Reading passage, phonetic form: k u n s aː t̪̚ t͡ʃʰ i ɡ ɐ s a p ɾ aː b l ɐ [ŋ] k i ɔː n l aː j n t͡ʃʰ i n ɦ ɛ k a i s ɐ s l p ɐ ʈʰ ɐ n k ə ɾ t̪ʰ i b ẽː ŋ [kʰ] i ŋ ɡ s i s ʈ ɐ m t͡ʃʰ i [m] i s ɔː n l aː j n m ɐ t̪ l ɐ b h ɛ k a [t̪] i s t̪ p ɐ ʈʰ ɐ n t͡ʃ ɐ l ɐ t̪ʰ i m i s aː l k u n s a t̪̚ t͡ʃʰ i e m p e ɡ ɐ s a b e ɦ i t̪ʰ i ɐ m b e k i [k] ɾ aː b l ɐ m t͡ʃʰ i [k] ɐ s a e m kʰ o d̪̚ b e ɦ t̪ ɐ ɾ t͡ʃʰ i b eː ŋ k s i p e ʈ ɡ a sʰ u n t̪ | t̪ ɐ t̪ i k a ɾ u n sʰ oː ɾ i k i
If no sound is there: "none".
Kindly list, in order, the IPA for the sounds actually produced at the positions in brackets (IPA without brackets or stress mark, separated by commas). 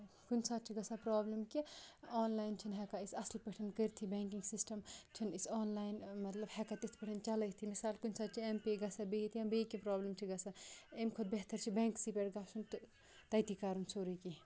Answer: m, k, n, t̪, p, ɡ